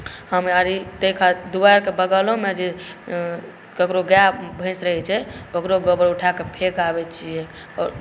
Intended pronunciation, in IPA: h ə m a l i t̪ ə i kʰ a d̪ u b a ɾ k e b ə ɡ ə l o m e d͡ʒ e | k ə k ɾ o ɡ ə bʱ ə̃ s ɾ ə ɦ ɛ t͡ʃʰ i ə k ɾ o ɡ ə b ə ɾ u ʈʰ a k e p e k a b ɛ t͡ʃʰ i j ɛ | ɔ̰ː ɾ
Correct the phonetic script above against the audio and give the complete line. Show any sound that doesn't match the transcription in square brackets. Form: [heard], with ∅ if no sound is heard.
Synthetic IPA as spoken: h ə m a [ɾ] i t̪ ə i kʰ a d̪ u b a ɾ k e b ə ɡ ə l o m e d͡ʒ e | k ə k ɾ o ɡ [a] bʱ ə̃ s ɾ ə ɦ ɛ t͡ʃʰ [ɛ] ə k ɾ o ɡ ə b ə ɾ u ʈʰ a k e [pʰ] e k a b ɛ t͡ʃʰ i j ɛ | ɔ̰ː ɾ

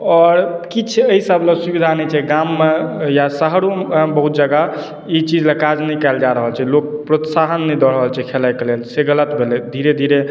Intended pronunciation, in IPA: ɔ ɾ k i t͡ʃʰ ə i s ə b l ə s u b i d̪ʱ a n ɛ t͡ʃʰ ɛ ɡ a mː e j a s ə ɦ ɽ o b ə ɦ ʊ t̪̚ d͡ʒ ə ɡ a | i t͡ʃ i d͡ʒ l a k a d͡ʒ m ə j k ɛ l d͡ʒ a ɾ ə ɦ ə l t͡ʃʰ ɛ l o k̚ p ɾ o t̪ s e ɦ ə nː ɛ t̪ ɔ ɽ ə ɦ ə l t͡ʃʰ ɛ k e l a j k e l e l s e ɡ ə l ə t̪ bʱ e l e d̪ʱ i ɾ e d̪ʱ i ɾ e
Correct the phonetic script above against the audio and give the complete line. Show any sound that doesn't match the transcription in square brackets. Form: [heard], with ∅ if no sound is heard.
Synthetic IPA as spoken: ɔ ɾ k i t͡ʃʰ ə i s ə b l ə s u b i d̪ʱ a n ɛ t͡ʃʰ ɛ ɡ a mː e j a s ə ɦ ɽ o b ə ɦ [u] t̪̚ d͡ʒ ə ɡ a | i t͡ʃ i d͡ʒ l a k a d͡ʒ [n] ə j k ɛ l d͡ʒ a ɾ ə ɦ ə l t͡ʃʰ ɛ l o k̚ p ɾ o t̪ s [a] ɦ ə nː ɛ [d̪] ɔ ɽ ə ɦ ə l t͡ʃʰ ɛ [kʰ] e l a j k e l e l s e ɡ ə l ə t̪ bʱ e l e d̪ʱ i ɾ e d̪ʱ i ɾ e

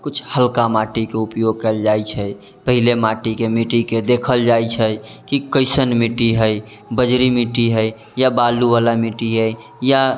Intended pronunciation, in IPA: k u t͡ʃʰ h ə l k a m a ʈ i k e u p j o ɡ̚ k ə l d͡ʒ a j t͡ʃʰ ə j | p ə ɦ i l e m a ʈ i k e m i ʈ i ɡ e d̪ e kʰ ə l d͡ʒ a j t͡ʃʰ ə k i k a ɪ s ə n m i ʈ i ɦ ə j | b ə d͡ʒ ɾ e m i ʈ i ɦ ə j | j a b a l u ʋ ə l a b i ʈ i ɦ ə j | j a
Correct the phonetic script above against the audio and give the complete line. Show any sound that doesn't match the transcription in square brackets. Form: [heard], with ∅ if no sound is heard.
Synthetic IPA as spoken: k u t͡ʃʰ h ə l k a m a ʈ i k e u p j o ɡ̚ k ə l d͡ʒ a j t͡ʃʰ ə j | p ə ɦ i l e m a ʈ i k e m i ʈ i [k] e d̪ e kʰ ə l d͡ʒ a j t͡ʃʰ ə k i k [ə] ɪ s ə n m i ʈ i ɦ ə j | b ə d͡ʒ ɾ [i] m i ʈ i ɦ ə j | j a b a l u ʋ [a] l a [m] i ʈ i ɦ ə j | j a

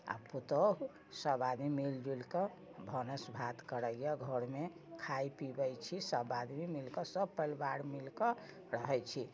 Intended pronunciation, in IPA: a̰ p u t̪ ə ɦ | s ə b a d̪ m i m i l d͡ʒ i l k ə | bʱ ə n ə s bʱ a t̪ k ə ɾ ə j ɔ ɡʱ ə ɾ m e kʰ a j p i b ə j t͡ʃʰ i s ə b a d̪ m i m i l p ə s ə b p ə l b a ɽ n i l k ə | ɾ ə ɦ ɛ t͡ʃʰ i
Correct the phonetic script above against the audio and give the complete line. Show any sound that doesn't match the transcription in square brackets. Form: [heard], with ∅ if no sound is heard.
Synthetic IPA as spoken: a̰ p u t̪ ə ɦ | s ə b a d̪ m i m i l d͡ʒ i l k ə | bʱ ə n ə s bʱ a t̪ k ə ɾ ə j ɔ ɡʱ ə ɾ m e kʰ a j p i b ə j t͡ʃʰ i s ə b a d̪ m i m i l [k] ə s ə b p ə l b a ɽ [m] i l k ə | ɾ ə ɦ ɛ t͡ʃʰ i

